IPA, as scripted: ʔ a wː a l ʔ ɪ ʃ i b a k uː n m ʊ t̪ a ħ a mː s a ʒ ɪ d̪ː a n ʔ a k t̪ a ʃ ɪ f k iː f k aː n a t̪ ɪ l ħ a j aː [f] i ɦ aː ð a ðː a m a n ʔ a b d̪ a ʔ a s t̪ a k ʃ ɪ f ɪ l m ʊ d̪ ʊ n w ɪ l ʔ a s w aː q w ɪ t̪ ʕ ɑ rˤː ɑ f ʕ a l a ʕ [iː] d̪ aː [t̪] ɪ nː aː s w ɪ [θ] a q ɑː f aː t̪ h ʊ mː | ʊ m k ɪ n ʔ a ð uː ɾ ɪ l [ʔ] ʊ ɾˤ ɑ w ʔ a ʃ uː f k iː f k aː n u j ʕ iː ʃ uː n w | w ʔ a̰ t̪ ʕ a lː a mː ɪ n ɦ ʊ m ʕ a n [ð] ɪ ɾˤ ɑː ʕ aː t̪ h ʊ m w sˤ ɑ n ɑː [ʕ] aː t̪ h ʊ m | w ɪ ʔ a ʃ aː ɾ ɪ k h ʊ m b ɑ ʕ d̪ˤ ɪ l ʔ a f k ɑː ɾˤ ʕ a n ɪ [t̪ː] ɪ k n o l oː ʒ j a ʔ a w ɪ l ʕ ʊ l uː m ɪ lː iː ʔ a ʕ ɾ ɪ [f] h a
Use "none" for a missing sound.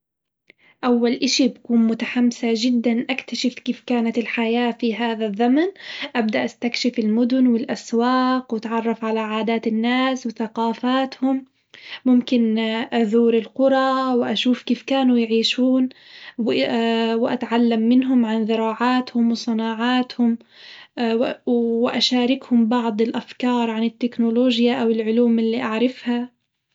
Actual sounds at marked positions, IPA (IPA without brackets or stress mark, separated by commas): f, aː, t̪, θ, q, ð, ʕ, t̪ː, f